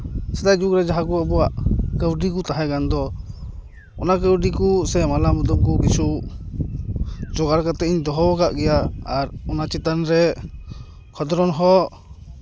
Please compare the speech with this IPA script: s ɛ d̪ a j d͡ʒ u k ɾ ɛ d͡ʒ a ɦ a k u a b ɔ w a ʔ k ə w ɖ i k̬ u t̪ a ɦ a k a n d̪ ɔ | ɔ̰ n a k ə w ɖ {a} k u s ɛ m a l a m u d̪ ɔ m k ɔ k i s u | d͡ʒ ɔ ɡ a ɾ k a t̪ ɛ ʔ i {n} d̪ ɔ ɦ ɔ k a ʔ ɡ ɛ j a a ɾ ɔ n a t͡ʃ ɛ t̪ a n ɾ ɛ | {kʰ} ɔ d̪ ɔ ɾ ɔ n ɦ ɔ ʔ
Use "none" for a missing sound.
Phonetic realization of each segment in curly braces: i, ɲ, kʰ

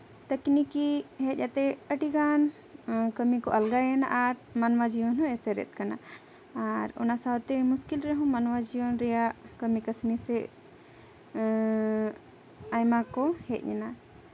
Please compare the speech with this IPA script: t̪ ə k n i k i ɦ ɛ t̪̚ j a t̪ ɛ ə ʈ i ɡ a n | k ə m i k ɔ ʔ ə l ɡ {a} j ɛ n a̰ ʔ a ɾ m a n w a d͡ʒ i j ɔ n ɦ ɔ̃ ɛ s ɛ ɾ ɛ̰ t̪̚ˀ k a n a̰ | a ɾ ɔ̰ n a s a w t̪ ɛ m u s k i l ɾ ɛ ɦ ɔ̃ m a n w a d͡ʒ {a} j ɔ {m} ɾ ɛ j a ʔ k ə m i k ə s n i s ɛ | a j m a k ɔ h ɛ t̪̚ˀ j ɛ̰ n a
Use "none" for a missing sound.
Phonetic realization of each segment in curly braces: a, i, n

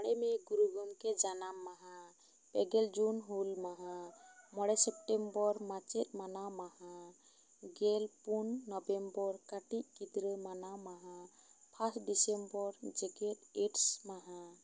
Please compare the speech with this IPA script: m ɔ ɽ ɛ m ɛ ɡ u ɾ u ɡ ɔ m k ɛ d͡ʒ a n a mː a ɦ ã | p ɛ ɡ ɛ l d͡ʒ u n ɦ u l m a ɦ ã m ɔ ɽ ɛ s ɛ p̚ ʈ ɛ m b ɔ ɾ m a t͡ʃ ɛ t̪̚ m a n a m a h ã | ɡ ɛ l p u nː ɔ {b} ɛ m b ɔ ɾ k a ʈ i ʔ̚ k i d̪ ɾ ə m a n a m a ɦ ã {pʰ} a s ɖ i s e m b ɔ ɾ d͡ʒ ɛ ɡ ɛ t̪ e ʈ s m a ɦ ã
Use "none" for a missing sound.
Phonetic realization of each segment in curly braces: b, pʰ

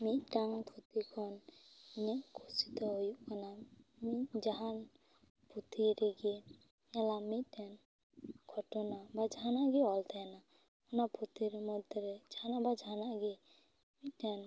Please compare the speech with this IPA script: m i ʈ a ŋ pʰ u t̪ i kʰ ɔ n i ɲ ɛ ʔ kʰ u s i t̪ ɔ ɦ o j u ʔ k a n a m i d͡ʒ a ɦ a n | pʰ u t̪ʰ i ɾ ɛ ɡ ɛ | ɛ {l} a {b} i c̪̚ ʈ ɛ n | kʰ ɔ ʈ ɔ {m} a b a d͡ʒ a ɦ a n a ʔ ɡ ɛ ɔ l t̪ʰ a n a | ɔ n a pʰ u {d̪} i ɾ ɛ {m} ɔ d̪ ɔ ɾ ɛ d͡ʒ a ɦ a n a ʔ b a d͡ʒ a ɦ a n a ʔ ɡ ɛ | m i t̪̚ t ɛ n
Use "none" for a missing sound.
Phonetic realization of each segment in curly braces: l, m, n, t̪, m

